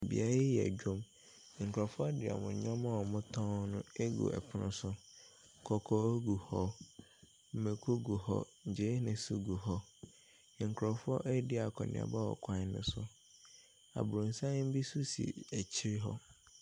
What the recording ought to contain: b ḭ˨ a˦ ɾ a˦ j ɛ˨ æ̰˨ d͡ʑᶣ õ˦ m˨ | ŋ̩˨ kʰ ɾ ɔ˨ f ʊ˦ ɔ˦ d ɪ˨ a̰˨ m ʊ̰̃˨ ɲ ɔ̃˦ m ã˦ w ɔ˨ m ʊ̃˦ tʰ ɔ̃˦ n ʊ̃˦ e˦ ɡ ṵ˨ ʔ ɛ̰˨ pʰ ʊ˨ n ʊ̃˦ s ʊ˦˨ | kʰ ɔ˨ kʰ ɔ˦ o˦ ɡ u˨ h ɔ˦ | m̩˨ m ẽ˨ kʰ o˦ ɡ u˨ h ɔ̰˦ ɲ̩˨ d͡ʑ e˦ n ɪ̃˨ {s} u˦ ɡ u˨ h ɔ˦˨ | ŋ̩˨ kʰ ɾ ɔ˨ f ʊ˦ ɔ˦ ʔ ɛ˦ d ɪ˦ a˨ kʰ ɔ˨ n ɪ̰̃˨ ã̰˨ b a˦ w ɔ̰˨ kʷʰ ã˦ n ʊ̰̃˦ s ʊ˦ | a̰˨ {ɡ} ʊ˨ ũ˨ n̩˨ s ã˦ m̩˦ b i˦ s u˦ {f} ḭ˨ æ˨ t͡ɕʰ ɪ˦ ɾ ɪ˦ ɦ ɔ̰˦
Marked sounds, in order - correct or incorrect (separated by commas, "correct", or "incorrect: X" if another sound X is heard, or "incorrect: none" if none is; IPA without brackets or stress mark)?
correct, incorrect: b, incorrect: s